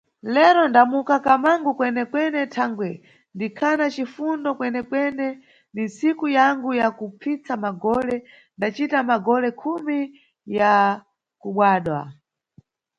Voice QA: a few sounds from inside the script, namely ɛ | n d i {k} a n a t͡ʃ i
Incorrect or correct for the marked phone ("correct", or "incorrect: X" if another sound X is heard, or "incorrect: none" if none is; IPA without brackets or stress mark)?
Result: incorrect: kʰ